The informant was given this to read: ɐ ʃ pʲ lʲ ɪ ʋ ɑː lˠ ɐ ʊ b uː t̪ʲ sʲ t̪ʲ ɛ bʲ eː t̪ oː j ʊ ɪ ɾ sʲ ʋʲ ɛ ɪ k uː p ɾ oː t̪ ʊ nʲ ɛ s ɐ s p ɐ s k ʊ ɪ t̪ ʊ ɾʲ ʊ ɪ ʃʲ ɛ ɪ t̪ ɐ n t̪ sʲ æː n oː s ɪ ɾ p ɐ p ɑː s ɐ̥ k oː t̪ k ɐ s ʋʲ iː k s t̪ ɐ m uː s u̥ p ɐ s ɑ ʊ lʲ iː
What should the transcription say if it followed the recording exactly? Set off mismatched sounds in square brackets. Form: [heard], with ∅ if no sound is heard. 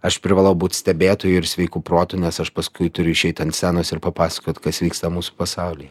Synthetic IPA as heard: ɐ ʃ pʲ [ɾʲ] ɪ ʋ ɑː lˠ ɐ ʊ b uː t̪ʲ sʲ t̪ʲ ɛ bʲ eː t̪ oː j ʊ ɪ ɾ sʲ ʋʲ ɛ ɪ k uː p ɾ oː t̪ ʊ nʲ ɛ s ɐ [ʃ] p ɐ s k ʊ ɪ t̪ ʊ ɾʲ ʊ ɪ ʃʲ ɛ ɪ t̪ ɐ n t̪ sʲ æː n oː s ɪ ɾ p ɐ p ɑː s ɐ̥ k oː t̪ k ɐ s ʋʲ iː k s t̪ ɐ m uː s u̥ p ɐ s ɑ ʊ lʲ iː